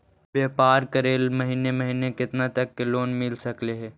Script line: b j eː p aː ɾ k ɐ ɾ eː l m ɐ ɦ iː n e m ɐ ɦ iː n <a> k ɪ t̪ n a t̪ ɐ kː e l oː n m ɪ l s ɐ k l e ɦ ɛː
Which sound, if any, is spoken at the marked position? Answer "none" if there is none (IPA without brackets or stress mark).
e